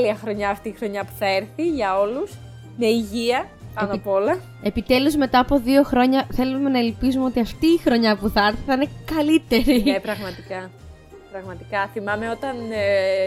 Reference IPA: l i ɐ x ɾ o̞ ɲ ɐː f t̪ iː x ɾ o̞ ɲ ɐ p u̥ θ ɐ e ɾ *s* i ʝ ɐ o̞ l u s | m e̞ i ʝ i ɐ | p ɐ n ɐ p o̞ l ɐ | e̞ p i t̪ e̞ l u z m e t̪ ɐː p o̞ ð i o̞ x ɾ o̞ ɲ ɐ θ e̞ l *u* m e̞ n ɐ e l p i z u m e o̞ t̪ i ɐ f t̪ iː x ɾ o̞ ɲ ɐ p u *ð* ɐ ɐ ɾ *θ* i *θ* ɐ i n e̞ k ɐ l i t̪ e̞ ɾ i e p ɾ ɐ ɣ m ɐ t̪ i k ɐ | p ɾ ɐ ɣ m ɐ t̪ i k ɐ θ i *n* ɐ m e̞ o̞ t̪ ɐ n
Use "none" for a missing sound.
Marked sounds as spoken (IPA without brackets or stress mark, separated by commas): θ, u, θ, θ, θ, m